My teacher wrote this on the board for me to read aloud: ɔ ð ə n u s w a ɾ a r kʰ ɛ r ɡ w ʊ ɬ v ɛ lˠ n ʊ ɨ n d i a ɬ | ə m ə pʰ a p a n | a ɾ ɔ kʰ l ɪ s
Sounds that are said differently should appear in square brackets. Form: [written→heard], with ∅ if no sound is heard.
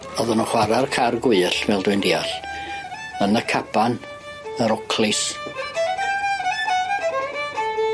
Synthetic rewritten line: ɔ ð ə n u [s→χ] w a ɾ a r kʰ [ɛ→a] r ɡ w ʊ ɬ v ɛ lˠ [n→d] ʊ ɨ n d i a ɬ | ə [m→n] ə [pʰ→kʰ] a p a n | [a→ə] ɾ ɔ kʰ l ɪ s